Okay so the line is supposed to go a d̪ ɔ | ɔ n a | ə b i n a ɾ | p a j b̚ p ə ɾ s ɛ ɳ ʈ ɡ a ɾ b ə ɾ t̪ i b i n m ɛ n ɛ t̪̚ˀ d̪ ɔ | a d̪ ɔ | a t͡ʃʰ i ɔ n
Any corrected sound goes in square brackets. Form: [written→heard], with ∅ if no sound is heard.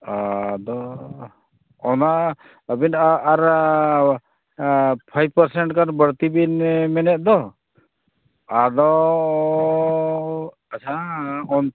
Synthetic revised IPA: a d̪ ɔ | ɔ n a | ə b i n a ɾ | [p→pʰ] a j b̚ p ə ɾ s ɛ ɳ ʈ [ɡ→k] a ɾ b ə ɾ t̪ i b i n m ɛ n ɛ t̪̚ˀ d̪ ɔ | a d̪ ɔ | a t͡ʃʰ [i→a] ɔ n